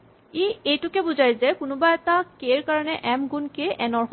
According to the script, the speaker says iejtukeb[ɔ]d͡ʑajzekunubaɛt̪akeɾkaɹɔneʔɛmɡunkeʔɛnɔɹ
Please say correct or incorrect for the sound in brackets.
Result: incorrect